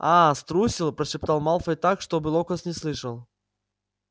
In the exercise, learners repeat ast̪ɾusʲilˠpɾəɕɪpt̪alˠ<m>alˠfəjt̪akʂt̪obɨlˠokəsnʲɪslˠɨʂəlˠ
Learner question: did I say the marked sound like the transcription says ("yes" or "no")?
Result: yes